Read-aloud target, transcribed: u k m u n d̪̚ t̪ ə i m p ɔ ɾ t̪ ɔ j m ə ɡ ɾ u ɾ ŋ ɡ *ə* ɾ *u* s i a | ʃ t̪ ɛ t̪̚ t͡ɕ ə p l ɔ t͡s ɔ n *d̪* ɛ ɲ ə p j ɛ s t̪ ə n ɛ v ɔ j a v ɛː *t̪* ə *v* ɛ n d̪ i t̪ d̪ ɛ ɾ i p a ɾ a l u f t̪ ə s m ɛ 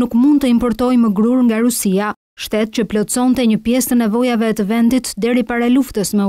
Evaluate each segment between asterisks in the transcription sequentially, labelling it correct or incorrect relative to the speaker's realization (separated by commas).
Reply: incorrect, correct, incorrect, correct, correct